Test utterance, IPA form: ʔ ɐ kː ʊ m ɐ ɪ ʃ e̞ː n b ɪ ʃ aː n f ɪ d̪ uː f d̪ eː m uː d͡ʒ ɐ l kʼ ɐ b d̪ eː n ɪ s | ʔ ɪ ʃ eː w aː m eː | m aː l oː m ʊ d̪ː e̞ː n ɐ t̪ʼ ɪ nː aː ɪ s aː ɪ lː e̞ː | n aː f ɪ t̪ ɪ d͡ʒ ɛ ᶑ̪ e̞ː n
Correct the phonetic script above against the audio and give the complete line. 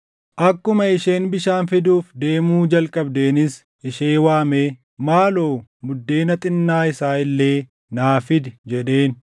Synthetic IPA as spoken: ʔ ɐ kː ʊ m ɐ ɪ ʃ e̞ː n b ɪ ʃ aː n f ɪ d̪ uː f d̪ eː m uː d͡ʒ ɐ l kʼ ɐ b d̪ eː n ɪ s | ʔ ɪ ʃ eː w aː m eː | m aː l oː m ʊ d̪ː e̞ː n ɐ t̪ʼ ɪ nː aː ɪ s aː ɪ lː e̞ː | n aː f ɪ d̪ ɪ d͡ʒ ɛ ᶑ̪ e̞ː n